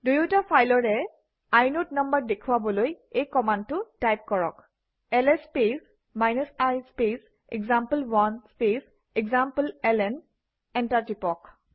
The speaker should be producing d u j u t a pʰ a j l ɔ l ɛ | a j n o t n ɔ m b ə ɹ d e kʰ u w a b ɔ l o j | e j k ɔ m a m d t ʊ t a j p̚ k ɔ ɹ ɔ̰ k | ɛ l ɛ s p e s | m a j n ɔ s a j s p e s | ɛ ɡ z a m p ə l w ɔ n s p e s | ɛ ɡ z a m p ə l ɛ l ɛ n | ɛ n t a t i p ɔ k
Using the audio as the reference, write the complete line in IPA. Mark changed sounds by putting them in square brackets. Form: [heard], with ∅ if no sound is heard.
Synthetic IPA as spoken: d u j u t a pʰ a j l ɔ [ɹ] ɛ | a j n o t n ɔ m b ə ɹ d e kʰ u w a b ɔ l o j | e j k ɔ m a [n] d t ʊ t a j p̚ k ɔ ɹ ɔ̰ k | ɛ l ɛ s p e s | m a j n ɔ s a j s p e s | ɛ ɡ z a m p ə l w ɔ n s p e s | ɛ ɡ z a m p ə l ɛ l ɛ n | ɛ n t a t i p ɔ k